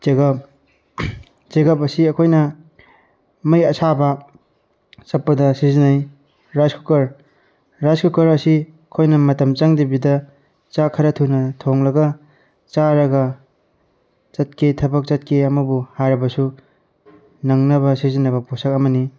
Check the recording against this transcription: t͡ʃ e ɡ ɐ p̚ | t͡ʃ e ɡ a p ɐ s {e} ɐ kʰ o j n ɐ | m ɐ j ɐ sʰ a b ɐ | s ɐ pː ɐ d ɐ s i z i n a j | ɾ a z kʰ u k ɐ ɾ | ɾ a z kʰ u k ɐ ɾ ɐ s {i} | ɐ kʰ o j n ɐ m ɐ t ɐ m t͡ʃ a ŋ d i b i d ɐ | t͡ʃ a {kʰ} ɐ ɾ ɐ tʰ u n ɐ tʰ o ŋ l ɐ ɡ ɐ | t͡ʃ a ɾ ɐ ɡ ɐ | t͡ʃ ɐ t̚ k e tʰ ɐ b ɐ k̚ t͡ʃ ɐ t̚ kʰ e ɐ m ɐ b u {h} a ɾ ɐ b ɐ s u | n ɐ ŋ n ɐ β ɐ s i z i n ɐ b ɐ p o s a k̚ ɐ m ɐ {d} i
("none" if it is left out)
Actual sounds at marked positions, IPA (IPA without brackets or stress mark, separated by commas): i, i, kʰ, h, n